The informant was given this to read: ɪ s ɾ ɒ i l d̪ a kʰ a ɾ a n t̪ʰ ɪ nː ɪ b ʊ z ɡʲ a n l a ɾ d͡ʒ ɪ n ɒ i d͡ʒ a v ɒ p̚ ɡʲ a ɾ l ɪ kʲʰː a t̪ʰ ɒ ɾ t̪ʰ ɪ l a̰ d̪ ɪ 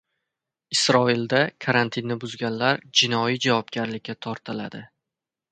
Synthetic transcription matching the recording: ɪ s ɾ ɒ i l d̪ a kʰ a ɾ a n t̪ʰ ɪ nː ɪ b ʊ z ɡʲ a n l a ɾ d͡ʒ ɪ n ɒ i d͡ʒ a v ɒ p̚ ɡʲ a ɾ l ɪ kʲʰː a t̪ʰ ɒ ɾ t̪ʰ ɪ l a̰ d̪ ɪ